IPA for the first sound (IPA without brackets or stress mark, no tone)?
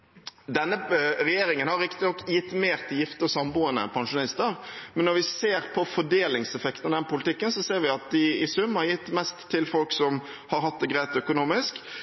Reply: d̪